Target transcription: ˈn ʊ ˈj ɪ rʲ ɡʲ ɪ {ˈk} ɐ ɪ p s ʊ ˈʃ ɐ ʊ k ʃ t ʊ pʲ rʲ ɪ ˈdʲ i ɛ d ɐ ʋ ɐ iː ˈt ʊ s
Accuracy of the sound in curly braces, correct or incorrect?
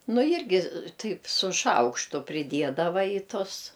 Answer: incorrect